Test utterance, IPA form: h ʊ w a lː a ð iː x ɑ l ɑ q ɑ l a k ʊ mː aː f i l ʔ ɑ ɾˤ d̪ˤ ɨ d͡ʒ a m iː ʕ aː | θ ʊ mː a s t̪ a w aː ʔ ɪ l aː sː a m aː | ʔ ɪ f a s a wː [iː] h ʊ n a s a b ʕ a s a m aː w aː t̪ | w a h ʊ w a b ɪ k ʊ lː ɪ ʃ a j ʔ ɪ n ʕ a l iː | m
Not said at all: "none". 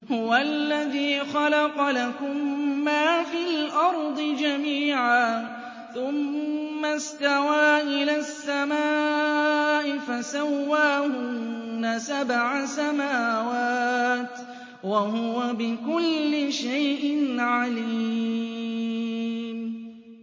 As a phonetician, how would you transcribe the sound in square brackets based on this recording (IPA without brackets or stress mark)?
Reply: aː